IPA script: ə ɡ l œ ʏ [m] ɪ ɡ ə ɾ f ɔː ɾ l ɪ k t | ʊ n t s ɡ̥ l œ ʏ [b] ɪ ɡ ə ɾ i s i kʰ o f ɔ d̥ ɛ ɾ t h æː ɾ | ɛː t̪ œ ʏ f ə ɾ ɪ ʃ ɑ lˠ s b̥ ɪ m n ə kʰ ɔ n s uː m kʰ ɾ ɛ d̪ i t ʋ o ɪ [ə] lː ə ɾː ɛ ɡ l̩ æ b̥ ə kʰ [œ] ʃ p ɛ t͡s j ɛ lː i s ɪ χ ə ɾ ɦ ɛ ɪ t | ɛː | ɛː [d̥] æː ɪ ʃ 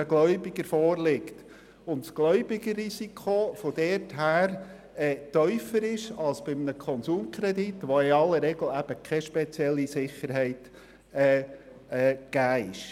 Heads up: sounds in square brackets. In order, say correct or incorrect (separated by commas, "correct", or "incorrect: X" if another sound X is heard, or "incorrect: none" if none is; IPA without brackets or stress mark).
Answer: incorrect: b, correct, incorrect: ɑ, incorrect: ɛ, incorrect: ɡ̥